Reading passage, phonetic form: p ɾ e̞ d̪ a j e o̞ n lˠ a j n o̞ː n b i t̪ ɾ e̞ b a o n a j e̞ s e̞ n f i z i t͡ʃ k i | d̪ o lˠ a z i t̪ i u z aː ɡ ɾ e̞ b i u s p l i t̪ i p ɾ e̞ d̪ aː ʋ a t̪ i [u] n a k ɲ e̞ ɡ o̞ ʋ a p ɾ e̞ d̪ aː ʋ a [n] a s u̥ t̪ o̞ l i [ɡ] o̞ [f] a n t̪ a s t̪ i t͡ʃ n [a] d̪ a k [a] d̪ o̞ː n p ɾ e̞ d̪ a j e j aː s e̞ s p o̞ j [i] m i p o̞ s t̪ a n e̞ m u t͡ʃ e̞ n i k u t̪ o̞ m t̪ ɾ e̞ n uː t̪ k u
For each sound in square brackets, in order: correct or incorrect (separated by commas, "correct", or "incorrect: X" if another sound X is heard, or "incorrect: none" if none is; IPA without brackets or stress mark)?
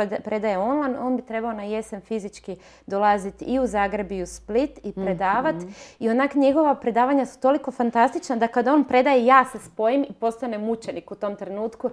incorrect: o, incorrect: ɲ, incorrect: k, correct, correct, correct, correct